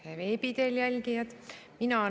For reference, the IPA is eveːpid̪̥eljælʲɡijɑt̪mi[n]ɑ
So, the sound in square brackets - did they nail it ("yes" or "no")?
yes